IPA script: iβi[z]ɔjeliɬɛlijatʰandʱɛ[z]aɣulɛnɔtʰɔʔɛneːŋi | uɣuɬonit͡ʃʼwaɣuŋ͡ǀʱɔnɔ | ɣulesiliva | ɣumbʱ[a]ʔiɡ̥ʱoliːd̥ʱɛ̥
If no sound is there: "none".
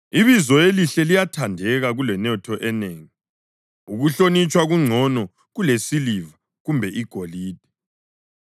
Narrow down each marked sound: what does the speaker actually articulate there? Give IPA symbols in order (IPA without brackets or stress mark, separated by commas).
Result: z, ɣ, ɛ